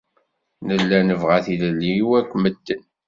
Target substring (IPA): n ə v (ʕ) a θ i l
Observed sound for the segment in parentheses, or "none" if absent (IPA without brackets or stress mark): ʁ